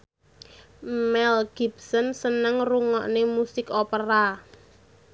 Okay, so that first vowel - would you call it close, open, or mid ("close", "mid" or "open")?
mid